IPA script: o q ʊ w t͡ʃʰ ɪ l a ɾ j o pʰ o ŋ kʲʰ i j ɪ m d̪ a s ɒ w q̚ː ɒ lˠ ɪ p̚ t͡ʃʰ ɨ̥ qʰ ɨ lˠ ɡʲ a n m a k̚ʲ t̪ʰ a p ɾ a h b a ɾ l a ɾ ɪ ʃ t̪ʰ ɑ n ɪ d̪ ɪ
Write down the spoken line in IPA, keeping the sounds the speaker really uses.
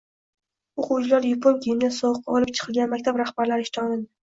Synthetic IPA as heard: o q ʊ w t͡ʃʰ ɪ l a ɾ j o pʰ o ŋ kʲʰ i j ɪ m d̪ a s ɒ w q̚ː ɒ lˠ ɪ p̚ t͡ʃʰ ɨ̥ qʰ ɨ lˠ ɡʲ a n m a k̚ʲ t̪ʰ a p ɾ a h b a ɾ l a ɾ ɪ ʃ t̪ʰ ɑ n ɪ d̪ ɪ